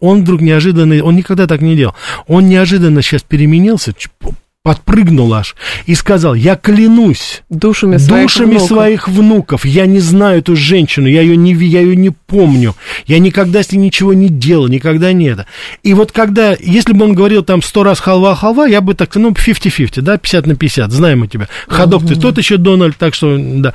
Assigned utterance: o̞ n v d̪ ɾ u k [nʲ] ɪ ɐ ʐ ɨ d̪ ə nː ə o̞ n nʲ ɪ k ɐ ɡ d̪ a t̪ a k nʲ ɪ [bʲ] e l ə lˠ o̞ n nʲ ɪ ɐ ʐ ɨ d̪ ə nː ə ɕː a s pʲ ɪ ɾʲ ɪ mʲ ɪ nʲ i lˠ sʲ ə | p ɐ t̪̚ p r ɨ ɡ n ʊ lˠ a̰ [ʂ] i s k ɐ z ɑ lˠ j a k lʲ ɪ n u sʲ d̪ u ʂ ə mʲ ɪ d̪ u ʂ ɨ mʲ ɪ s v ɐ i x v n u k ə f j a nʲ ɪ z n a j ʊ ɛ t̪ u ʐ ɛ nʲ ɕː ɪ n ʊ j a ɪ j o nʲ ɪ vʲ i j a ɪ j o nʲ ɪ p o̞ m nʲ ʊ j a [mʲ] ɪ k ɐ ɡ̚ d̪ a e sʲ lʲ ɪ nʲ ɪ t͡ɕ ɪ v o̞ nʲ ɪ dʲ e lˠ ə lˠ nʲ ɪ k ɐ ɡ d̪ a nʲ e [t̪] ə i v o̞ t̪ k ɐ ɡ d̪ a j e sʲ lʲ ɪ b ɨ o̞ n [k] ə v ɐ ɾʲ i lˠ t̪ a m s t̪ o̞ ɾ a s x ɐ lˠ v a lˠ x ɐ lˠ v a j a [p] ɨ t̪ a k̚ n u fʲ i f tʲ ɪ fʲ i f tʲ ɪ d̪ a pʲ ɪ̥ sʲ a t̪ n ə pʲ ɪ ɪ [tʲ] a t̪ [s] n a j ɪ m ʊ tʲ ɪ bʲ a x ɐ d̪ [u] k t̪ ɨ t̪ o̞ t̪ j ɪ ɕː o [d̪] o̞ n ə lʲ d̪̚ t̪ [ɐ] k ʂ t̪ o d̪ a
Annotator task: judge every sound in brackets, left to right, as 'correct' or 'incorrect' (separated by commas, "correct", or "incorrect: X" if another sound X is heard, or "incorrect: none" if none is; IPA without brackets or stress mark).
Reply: correct, incorrect: dʲ, correct, incorrect: nʲ, correct, incorrect: ɡ, incorrect: b, incorrect: sʲ, incorrect: z, incorrect: o, correct, incorrect: a